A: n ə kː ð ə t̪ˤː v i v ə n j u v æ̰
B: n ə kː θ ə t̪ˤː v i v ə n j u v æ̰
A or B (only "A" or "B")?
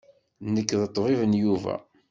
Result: A